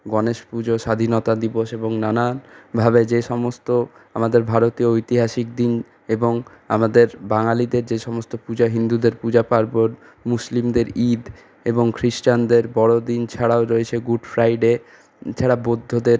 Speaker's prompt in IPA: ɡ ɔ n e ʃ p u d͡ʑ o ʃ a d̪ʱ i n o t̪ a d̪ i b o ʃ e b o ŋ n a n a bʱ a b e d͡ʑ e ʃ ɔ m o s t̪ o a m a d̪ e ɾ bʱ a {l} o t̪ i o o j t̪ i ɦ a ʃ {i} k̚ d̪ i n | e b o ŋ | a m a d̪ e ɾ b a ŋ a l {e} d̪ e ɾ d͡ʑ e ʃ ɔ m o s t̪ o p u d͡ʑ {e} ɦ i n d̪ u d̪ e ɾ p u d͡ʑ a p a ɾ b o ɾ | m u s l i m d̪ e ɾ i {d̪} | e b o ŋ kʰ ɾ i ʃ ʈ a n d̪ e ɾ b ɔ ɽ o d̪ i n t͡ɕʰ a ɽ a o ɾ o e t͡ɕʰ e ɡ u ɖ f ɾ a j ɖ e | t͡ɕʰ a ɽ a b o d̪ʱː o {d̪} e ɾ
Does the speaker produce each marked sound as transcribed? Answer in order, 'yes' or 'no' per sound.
no, yes, no, no, yes, yes

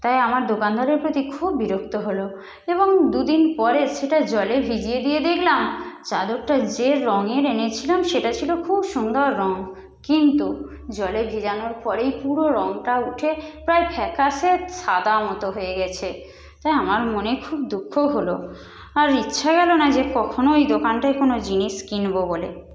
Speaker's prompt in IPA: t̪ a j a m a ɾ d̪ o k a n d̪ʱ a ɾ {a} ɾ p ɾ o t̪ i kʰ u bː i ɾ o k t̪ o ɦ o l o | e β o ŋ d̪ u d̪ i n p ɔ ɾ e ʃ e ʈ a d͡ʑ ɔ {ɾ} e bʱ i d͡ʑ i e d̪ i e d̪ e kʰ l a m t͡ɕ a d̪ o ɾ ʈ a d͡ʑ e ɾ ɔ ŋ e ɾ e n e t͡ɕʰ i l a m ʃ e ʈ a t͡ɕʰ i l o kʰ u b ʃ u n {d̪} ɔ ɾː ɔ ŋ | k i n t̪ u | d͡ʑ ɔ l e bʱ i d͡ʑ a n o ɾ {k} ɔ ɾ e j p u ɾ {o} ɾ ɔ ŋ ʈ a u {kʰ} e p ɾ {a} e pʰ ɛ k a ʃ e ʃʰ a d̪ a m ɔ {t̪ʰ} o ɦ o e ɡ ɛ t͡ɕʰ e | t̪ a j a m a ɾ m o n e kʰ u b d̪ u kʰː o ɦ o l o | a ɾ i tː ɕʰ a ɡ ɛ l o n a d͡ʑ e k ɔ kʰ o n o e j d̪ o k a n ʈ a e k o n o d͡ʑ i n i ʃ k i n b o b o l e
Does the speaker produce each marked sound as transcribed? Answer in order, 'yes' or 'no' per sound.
no, no, yes, no, yes, no, yes, no

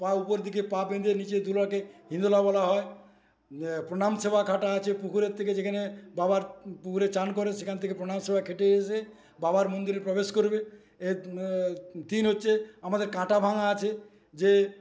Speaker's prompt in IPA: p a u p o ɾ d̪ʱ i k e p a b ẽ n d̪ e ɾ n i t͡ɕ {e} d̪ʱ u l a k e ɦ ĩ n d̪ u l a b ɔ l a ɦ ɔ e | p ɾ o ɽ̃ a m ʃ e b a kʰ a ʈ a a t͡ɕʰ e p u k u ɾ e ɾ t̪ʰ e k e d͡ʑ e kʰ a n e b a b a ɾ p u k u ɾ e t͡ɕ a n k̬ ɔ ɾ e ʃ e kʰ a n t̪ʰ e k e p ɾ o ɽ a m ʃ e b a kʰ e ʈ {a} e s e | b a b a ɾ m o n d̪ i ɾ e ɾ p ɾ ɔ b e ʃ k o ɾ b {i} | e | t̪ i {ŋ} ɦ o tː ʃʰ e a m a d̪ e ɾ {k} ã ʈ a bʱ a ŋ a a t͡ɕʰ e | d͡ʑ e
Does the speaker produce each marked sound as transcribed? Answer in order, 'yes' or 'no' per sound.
yes, no, no, no, yes

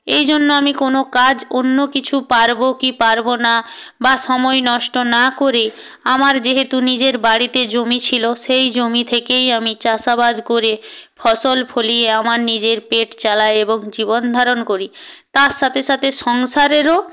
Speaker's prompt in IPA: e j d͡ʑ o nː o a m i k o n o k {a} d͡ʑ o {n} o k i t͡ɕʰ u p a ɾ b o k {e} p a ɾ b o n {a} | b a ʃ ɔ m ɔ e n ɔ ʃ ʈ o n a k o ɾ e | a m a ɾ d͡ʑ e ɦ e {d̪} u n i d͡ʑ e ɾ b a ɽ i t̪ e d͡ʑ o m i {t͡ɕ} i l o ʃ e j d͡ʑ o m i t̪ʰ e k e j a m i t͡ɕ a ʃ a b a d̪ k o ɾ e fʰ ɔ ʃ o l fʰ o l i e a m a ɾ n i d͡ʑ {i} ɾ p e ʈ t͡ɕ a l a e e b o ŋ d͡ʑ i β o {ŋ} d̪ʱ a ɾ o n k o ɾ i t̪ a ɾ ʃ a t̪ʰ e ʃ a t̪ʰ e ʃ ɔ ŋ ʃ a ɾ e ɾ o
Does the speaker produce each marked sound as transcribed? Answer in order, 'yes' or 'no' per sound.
yes, no, no, yes, no, no, no, no

